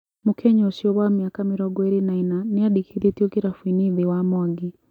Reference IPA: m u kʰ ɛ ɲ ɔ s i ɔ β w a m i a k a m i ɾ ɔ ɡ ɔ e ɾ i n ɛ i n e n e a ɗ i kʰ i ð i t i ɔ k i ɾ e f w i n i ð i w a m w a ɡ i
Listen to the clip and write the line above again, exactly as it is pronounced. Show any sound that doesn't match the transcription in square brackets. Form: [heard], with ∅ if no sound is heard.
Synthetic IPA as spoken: m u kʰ ɛ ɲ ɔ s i ɔ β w a m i a k a m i ɾ ɔ ɡ ɔ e ɾ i n [a] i n [a] n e a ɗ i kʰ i ð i t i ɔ k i ɾ [a] f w i n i ð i w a m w a ɡ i